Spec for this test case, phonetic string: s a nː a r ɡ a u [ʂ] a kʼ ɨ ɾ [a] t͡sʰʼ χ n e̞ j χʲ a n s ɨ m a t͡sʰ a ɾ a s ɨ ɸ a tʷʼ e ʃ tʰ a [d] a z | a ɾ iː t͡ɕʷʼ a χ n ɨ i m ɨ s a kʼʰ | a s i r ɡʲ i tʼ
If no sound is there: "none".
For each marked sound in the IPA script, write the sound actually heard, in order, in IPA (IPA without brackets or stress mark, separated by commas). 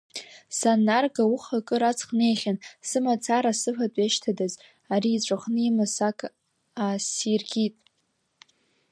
χ, a, d